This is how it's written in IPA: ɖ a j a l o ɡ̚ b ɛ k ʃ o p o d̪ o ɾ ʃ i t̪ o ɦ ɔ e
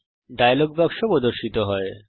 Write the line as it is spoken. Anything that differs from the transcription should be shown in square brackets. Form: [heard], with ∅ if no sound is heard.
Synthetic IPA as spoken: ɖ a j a l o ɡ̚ b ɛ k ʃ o p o d̪ o ɾ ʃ i t̪ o ɦ ɔ e

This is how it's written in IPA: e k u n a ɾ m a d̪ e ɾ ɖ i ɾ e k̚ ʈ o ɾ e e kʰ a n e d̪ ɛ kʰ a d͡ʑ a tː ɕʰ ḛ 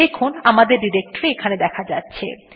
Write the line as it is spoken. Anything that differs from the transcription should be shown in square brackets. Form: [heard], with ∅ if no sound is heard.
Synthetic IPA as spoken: e [kʰ] u n a [∅] m a d̪ e ɾ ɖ i ɾ e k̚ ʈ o ɾ e e kʰ a n e d̪ ɛ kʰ a d͡ʑ a tː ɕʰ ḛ

